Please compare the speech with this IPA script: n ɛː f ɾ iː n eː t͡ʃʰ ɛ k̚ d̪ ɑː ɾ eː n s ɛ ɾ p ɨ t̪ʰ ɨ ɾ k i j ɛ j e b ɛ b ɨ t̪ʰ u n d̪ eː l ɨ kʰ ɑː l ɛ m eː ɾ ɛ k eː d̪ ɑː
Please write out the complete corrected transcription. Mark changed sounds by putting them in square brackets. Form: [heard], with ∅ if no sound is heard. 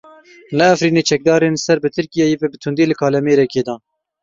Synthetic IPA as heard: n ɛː f ɾ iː n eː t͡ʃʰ ɛ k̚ d̪ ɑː ɾ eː n s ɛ ɾ [b] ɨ t̪ʰ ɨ ɾ k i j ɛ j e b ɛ b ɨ t̪ʰ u n d̪ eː l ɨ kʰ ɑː l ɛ m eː ɾ ɛ k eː d̪ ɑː

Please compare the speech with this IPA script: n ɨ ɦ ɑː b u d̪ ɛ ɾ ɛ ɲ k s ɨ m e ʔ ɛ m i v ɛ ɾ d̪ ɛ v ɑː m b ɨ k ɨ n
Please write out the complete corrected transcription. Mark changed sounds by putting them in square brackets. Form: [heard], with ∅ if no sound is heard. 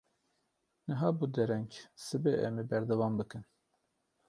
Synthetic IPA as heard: n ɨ ɦ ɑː b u d̪ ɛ ɾ ɛ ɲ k s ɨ [b] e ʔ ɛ m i [b] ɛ ɾ d̪ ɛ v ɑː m b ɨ k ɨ n

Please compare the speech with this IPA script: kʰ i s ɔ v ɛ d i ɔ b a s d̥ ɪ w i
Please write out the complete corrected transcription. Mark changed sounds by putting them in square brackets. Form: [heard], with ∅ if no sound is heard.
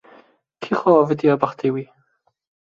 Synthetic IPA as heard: kʰ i [χ] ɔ v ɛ d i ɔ b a [χ] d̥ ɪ w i

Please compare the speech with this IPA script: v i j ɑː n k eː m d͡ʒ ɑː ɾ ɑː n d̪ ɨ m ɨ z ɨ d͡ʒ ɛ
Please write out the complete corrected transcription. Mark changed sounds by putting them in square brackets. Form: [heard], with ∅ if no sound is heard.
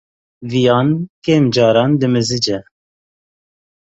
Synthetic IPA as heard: v i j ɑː n k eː m d͡ʒ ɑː ɾ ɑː n d̪ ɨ m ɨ z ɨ d͡ʒ ɛ

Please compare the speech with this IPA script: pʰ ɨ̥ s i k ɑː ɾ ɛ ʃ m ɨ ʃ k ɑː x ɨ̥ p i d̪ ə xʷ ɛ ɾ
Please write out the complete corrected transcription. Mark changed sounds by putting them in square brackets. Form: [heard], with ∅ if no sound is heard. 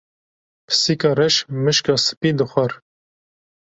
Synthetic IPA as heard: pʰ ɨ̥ s i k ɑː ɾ ɛ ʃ m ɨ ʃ k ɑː [s] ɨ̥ p i d̪ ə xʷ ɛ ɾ

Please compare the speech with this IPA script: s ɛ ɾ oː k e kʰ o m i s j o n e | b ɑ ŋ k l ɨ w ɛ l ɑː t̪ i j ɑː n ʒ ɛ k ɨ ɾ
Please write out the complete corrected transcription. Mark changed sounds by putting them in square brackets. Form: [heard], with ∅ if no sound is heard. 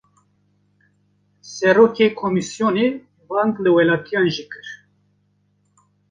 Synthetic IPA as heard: s ɛ ɾ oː k e kʰ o m i s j o n e | b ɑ ŋ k l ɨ w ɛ l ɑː t̪ i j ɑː n ʒ [i] k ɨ ɾ

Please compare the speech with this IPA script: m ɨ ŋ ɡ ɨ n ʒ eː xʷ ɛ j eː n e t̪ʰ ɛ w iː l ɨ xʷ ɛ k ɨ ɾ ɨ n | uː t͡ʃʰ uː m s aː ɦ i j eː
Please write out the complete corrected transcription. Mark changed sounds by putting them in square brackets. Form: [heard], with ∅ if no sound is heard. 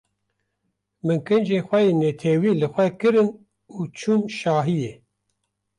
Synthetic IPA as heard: m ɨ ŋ [k] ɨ n [d͡ʒ] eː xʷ ɛ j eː n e t̪ʰ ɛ w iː l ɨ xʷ ɛ k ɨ ɾ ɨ n | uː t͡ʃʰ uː m [ʃ] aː ɦ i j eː

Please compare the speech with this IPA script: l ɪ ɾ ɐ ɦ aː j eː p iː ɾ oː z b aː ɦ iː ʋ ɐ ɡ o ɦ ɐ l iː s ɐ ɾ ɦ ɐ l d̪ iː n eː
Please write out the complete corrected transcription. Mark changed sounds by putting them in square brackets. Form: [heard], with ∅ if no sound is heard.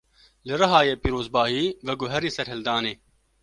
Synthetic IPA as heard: l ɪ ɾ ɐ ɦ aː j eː p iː ɾ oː z b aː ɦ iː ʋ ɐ ɡ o ɦ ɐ [ɾ] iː s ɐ ɾ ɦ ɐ l d̪ [aː] n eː

